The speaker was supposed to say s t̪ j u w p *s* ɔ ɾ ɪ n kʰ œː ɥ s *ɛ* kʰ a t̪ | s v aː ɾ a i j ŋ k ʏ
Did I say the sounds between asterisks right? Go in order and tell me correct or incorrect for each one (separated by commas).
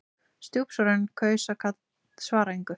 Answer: correct, incorrect